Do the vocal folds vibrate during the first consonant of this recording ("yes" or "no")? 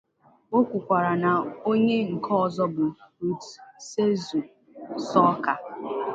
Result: no